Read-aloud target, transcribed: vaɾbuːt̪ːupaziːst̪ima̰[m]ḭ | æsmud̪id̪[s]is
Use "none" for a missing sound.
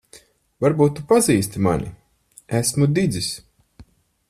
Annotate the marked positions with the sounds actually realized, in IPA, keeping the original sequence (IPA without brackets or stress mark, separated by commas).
n, z